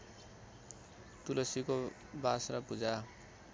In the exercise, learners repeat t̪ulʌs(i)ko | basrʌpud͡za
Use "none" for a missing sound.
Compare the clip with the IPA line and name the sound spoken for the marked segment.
i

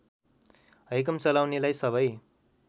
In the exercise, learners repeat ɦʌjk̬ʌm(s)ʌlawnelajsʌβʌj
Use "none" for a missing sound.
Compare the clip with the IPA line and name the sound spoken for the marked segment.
t͡s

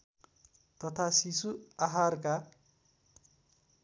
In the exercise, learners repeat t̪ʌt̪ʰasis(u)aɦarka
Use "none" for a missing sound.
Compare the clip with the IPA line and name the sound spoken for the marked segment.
u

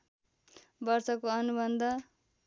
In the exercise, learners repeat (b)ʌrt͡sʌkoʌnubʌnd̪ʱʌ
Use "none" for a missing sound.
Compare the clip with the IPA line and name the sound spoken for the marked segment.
b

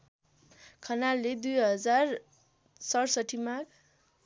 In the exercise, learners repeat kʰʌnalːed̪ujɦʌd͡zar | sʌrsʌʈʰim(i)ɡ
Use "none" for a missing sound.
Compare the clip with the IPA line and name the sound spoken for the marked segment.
a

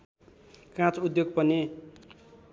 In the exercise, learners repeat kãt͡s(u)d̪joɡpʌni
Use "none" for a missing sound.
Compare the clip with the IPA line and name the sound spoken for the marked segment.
u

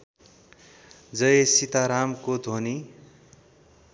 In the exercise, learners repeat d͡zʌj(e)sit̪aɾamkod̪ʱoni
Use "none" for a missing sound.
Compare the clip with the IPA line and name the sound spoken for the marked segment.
e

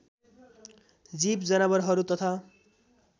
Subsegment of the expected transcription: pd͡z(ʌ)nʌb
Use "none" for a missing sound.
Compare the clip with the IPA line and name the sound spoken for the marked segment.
ʌ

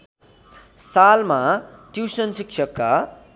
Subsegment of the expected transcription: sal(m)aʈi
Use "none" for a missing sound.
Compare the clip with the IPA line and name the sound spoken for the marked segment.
m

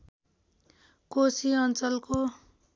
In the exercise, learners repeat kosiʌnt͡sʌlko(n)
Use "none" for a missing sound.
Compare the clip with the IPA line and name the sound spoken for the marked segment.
none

